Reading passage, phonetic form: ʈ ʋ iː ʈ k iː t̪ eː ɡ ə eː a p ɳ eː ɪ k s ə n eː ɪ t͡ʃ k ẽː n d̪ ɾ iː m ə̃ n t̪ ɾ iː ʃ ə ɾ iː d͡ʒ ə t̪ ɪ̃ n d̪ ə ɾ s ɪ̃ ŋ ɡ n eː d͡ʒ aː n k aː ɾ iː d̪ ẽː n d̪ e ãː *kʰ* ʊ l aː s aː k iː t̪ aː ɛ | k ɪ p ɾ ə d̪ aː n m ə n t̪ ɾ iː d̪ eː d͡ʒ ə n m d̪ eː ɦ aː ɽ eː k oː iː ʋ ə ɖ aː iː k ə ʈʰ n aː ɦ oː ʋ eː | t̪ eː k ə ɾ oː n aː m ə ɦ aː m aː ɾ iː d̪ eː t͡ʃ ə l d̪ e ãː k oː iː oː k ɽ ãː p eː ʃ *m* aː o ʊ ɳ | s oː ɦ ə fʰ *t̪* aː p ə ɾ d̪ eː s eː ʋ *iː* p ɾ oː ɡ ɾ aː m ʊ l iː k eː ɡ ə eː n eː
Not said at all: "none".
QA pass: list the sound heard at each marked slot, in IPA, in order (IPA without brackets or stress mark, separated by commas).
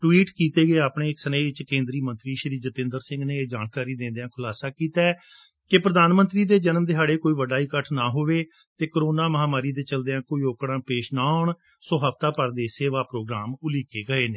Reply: kʰ, n, t̪, aː